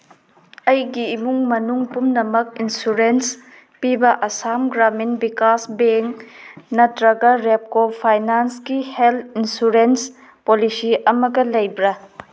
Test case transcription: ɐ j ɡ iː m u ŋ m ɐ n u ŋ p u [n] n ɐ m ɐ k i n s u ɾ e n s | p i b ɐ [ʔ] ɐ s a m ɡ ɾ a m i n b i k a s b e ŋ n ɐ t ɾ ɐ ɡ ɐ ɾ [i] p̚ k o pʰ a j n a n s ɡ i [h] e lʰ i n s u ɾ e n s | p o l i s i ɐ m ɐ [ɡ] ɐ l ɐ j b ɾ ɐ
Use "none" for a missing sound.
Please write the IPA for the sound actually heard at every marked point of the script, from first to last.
m, ʔ, e, h, ɡ

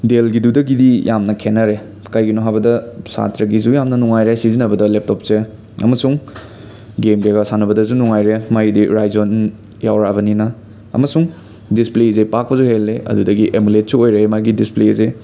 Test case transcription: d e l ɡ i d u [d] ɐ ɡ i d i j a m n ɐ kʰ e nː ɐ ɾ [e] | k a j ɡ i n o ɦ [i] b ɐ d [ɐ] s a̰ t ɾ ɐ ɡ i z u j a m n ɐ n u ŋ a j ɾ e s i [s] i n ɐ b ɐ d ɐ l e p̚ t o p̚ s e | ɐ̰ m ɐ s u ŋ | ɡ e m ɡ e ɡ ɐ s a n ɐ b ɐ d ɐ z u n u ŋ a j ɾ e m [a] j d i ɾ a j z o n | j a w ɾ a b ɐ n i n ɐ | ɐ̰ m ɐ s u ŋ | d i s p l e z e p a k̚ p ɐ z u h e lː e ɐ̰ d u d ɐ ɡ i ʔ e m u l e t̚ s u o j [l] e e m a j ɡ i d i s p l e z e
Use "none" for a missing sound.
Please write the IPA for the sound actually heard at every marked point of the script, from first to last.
d, e, a, ɐ, z, a, ɾ

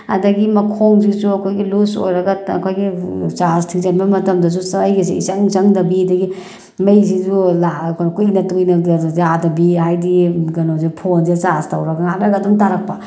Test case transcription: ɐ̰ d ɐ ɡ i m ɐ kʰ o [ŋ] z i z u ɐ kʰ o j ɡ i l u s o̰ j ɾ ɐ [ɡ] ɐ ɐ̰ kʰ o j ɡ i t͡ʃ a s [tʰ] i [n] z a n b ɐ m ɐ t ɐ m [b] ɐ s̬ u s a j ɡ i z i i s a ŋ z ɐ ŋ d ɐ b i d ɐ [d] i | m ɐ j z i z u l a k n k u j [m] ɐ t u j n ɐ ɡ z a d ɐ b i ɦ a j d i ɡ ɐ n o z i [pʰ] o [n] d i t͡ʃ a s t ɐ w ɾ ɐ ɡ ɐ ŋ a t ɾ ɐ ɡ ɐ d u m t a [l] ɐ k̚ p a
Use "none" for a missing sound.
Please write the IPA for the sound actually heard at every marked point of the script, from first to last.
ŋ, ɡ, tʰ, ŋ, d, ɡ, n, pʰ, n, ɾ

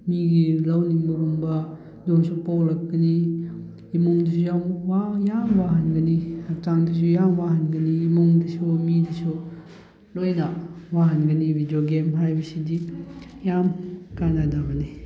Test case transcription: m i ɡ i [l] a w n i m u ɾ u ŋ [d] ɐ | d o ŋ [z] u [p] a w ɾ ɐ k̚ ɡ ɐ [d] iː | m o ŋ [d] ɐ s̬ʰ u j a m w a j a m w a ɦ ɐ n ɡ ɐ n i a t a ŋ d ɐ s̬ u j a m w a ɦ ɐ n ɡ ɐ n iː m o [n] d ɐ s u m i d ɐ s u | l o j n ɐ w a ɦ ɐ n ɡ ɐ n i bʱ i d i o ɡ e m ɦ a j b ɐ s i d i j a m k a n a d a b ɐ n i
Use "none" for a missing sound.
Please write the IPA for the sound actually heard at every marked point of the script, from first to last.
l, b, s, p, n, d, ŋ

